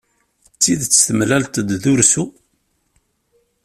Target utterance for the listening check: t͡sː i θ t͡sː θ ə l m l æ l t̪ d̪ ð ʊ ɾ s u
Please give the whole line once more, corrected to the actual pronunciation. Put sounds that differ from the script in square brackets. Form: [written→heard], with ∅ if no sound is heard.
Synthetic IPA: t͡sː i [θ→ð] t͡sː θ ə [l→∅] m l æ l t̪ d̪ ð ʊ ɾ s u